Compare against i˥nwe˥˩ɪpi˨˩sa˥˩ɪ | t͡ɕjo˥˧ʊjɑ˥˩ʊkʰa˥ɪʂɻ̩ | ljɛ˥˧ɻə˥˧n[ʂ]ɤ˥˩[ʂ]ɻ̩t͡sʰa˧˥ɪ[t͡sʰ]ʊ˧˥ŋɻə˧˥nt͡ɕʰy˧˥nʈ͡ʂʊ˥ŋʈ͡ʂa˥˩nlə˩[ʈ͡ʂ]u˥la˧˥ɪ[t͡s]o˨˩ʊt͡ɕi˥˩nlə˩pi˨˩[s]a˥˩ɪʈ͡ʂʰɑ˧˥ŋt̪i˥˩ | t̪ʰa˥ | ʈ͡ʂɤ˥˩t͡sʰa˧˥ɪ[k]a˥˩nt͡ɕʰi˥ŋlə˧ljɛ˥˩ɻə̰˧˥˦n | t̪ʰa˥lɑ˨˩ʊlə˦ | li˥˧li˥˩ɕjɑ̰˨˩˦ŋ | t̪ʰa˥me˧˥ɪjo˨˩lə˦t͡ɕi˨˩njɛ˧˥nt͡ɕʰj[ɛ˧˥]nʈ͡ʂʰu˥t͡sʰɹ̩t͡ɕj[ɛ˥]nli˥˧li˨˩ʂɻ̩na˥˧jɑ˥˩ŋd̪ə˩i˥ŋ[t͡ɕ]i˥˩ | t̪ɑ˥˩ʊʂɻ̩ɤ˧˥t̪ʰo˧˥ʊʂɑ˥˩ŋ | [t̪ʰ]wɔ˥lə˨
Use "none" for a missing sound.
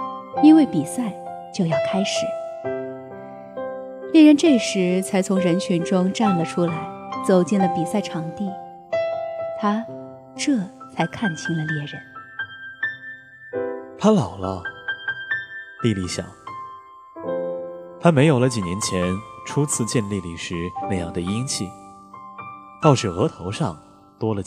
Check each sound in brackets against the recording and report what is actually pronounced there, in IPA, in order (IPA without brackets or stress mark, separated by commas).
ʈ͡ʂ, ʂ, t͡sʰ, ʈ͡ʂʰ, t͡s, s, kʰ, ɛ˧˥, ɛ˥˧, t͡ɕʰ, t̪